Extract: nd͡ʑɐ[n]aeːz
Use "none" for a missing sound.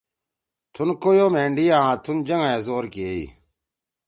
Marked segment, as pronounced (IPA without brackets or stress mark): ŋ